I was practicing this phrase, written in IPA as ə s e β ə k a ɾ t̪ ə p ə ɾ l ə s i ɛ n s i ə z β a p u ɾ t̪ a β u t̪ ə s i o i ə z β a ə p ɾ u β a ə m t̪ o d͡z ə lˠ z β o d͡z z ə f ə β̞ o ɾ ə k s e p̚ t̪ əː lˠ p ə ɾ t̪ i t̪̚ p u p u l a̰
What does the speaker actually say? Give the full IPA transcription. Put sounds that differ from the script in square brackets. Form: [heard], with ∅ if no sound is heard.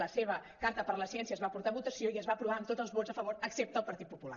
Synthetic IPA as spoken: ə s e β ə k a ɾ t̪ ə p ə ɾ l ə s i ɛ n s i ə z β a p u ɾ t̪ a β u t̪ ə s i o i ə z β a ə p ɾ u β a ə m t̪ o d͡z ə lˠ z β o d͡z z ə f ə β̞ o ɾ ə k s e p̚ t̪ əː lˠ p ə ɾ t̪ i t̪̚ p u p u l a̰